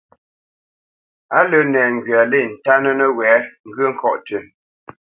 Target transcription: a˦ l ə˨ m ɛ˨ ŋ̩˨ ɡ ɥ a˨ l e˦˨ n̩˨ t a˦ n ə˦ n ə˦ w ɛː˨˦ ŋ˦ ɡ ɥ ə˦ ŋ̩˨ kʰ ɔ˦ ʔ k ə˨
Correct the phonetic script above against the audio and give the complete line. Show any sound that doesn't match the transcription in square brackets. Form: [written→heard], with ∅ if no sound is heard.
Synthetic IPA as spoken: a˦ l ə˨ [m→n] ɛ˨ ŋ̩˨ ɡ ɥ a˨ l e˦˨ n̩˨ t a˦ n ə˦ n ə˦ w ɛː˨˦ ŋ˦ ɡ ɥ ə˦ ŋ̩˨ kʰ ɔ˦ ʔ [k→t] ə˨